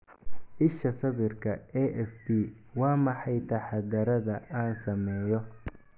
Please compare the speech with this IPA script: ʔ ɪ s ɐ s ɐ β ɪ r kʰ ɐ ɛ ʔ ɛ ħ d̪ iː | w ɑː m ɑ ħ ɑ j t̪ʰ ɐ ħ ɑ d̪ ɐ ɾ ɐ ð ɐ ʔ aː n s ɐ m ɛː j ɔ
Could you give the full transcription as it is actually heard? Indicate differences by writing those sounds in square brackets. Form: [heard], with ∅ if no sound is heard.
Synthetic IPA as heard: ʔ ɪ [ʃ] ɐ s ɐ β ɪ r kʰ ɐ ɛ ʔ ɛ [f] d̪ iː | w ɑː m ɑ ħ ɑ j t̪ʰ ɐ ħ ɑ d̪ ɐ ɾ ɐ ð ɐ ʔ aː n s ɐ m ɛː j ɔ

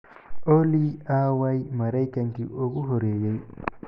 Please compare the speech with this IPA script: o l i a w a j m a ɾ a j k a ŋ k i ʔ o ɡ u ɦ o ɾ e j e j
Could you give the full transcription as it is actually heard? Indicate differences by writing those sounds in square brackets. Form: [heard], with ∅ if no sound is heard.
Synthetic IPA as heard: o l i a w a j m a ɾ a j k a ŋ k i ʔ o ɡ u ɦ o ɾ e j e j

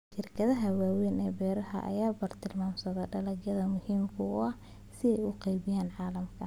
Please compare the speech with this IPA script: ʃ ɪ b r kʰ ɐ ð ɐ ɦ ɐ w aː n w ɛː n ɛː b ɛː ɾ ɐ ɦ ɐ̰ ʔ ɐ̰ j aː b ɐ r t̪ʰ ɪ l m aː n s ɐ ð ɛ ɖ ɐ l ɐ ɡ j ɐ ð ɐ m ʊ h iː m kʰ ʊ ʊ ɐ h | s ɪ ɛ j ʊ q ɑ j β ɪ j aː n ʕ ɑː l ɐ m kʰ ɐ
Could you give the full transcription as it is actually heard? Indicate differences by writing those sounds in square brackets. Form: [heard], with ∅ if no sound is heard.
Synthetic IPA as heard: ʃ ɪ [∅] r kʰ ɐ ð ɐ ɦ ɐ w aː [∅] w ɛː n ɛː b ɛː ɾ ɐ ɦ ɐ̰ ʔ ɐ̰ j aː b ɐ r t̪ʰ ɪ l m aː [m] s ɐ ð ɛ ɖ ɐ l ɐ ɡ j ɐ ð ɐ m ʊ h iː m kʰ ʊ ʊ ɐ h | s ɪ ɛ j ʊ q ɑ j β ɪ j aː n ʕ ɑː l ɐ m kʰ ɐ

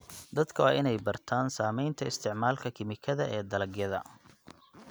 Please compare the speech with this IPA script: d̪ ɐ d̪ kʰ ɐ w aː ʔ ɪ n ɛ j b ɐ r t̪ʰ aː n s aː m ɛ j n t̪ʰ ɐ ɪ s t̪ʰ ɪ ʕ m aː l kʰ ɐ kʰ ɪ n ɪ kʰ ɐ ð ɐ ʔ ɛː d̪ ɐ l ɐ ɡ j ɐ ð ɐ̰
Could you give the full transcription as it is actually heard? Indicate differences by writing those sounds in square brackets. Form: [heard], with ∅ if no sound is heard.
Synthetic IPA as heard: d̪ ɐ d̪ kʰ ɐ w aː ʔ ɪ n ɛ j b ɐ r t̪ʰ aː n s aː m ɛ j n t̪ʰ ɐ ɪ s t̪ʰ ɪ ʕ m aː l kʰ ɐ kʰ ɪ [m] ɪ kʰ ɐ ð ɐ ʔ ɛː d̪ ɐ l ɐ ɡ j ɐ ð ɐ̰

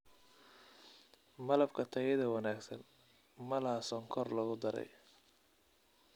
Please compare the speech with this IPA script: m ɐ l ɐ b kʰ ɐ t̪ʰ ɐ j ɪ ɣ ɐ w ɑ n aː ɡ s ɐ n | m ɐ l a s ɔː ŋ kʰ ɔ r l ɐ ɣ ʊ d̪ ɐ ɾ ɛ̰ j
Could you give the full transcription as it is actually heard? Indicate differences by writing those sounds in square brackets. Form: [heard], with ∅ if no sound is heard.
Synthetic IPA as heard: m ɐ l ɐ b kʰ ɐ t̪ʰ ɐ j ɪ [ð] ɐ w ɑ n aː ɡ s ɐ n | m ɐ l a s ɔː ŋ kʰ ɔ r l ɐ ɣ ʊ d̪ ɐ ɾ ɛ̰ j

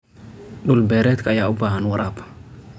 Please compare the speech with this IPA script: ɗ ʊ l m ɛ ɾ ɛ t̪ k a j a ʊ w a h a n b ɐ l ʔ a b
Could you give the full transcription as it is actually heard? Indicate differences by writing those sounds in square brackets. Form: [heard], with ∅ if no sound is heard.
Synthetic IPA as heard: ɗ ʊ l [b] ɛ ɾ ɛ t̪ k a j a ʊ [b] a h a n [w] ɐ [ɾ] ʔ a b

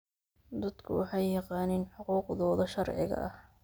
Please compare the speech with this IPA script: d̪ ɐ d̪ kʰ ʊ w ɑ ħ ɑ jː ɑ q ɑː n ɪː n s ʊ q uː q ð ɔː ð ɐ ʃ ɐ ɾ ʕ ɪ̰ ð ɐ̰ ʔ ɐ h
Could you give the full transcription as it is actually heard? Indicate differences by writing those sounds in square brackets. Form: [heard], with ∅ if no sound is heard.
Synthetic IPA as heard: d̪ ɐ d̪ kʰ ʊ w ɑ ħ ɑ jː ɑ q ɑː n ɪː n [ħ] ʊ q uː q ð ɔː ð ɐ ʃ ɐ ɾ ʕ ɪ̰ [ɣ] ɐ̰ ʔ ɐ h

